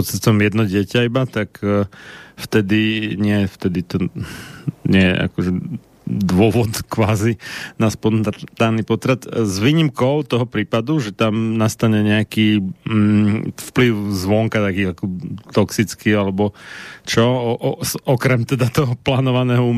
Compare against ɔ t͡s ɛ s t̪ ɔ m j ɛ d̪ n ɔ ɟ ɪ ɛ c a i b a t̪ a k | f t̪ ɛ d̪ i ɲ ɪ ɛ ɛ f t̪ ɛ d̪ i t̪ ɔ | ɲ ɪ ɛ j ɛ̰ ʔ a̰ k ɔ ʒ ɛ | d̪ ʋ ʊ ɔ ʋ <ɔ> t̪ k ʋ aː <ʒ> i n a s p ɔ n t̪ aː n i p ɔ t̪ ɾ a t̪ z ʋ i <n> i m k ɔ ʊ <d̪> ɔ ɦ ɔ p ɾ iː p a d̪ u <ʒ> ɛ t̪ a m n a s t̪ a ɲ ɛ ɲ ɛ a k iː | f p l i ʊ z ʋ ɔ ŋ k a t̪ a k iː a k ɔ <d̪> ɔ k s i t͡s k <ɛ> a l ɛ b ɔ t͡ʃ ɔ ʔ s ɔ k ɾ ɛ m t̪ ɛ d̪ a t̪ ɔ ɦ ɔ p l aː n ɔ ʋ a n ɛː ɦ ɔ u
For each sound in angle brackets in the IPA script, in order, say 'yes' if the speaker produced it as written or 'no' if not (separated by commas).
yes, no, no, no, yes, no, no